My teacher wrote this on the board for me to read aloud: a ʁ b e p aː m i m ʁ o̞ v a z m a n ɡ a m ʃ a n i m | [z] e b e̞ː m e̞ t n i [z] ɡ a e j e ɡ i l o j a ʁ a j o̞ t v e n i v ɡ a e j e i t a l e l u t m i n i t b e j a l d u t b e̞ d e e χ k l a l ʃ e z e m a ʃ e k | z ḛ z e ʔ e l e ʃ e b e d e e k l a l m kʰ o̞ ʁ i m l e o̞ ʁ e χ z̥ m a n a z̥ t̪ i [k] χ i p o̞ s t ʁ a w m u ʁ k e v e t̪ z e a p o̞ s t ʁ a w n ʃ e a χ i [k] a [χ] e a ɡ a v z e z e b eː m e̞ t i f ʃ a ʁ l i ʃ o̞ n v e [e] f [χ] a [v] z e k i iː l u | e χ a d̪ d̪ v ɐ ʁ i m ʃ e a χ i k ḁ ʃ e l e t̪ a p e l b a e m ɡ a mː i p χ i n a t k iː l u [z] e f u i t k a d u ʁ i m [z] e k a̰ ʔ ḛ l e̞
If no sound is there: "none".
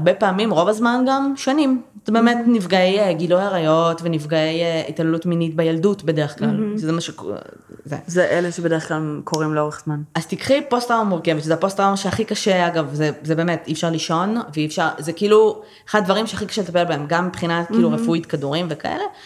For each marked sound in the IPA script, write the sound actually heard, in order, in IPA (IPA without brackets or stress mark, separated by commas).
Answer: z, v, k, k, ʃ, i, ʃ, ʁ, ʁ, v